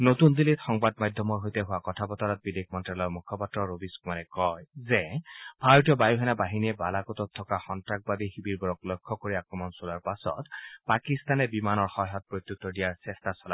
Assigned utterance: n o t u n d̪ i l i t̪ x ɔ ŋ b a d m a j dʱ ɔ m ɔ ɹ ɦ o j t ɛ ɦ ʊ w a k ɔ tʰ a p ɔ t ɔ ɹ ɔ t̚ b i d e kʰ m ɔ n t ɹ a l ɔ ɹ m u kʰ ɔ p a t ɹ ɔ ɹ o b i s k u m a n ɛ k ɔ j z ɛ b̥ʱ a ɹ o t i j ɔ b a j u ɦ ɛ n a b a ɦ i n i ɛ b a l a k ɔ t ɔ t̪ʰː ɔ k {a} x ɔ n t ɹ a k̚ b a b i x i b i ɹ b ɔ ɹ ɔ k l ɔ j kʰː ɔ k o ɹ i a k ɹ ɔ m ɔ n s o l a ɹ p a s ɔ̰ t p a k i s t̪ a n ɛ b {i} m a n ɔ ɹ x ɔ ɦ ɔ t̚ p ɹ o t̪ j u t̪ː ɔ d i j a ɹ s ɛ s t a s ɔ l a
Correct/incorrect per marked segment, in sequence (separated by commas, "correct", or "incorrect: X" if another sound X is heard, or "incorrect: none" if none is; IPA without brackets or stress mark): correct, correct